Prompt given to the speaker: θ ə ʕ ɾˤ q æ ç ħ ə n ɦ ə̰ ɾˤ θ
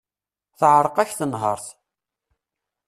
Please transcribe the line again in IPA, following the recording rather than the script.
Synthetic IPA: θ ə ʕ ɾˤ q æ ç θ ə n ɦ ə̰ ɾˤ θ